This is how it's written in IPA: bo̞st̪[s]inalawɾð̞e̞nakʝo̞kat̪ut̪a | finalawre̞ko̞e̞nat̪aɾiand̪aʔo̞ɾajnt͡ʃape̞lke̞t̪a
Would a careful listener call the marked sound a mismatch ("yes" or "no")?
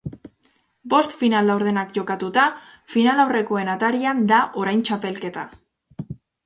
yes